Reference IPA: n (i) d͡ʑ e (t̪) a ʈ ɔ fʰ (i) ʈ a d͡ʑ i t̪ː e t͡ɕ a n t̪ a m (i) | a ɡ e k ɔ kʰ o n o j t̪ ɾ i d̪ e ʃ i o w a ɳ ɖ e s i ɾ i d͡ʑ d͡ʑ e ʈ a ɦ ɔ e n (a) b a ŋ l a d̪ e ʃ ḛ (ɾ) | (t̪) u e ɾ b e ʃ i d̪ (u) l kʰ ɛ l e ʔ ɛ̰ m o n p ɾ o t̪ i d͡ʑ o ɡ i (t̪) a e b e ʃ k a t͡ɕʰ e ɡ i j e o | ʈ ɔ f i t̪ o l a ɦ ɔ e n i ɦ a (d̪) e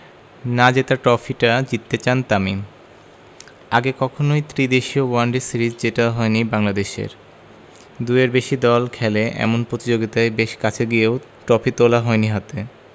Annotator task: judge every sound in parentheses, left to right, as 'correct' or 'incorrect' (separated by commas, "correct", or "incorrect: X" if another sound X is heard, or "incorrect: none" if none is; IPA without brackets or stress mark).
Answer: incorrect: a, correct, correct, correct, incorrect: i, correct, incorrect: d̪, incorrect: ɔ, correct, incorrect: t̪